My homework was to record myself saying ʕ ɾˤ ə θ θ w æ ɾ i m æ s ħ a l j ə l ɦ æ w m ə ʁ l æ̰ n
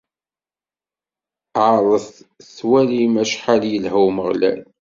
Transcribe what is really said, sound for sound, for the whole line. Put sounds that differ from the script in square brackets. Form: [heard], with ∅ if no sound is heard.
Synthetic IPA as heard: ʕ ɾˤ ə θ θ w æ [l] i m æ [ʃ] ħ a l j ə l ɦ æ w m ə ʁ l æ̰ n